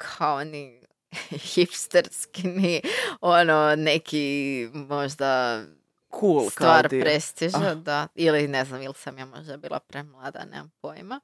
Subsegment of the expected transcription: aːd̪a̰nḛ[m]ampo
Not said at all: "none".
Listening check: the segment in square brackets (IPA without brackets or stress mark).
m